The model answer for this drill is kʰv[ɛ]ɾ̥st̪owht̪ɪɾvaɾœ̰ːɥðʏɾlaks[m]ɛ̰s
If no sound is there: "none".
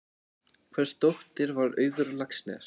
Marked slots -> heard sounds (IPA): ɛ, n

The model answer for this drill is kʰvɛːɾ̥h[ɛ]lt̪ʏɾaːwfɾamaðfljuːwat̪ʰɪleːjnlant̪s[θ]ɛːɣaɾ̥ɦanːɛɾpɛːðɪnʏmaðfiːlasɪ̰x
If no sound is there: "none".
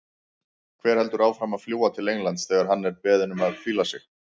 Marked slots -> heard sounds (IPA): ɛ, θ

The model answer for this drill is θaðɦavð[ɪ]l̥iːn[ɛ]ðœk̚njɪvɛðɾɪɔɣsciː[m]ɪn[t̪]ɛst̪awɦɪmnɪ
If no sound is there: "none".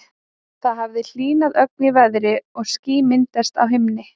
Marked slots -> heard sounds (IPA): ɪ, a, m, t̪

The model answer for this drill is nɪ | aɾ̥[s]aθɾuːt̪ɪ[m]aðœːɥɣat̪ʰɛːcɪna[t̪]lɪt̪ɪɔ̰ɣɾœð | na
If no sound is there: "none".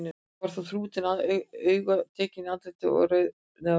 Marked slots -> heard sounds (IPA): θ, n, t̪

